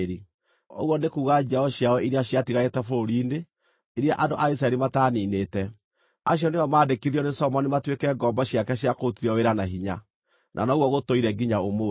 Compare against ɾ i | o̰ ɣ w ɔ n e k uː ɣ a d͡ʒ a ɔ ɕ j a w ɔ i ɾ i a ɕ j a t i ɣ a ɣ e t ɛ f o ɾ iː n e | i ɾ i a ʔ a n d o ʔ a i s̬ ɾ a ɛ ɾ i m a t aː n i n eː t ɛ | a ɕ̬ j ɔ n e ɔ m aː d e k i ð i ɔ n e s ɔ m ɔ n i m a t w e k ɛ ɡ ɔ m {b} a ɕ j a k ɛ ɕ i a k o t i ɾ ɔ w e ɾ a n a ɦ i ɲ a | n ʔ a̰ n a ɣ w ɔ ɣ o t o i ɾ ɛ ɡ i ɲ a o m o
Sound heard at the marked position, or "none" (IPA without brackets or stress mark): b